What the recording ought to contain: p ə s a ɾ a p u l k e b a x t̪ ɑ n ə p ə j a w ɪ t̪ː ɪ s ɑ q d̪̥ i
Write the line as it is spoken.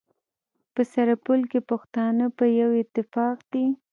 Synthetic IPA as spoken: p ə s a ɾ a p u l k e p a x t̪ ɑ n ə p ə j a w ɪ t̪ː ɪ f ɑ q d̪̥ i